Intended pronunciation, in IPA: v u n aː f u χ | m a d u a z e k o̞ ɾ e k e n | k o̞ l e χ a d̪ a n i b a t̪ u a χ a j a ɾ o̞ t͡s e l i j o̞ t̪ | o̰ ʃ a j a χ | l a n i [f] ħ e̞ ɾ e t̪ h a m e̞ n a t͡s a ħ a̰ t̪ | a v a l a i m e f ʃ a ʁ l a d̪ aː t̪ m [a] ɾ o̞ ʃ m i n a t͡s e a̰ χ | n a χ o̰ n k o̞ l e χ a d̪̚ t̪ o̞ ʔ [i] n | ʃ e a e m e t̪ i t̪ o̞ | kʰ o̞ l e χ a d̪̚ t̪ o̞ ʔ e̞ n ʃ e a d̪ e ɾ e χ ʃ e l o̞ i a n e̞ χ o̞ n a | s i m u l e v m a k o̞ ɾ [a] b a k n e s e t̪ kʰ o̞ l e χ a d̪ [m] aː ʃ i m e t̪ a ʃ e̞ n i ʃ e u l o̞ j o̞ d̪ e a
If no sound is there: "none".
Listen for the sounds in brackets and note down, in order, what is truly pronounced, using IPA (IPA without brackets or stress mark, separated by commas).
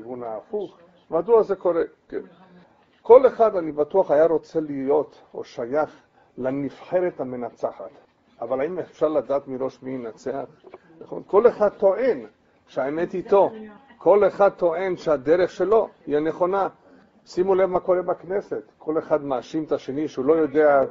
f, i, e, e, m